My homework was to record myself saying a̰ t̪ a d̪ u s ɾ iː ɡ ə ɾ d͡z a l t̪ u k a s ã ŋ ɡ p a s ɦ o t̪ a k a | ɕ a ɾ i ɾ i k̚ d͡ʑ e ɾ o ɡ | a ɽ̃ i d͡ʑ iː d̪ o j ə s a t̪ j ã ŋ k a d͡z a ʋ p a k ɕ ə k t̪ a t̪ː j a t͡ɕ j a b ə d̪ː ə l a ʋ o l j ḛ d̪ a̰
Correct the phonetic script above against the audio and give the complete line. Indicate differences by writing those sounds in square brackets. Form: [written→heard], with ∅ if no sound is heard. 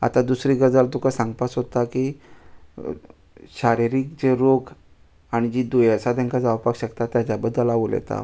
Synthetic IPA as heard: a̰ t̪ a d̪ u s ɾ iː ɡ ə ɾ d͡z a l t̪ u k a s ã ŋ ɡ p a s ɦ o t̪ a k [a→i] | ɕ a ɾ i ɾ i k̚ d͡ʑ e ɾ o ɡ | a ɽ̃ i d͡ʑ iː d̪ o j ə s a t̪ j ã ŋ k a d͡z a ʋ p a k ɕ ə k t̪ a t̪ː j a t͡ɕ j a b ə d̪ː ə l a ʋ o l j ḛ [d̪→t̪] a̰